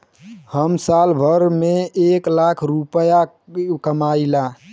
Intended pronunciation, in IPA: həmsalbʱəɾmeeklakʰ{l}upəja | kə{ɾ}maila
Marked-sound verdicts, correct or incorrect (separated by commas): incorrect, incorrect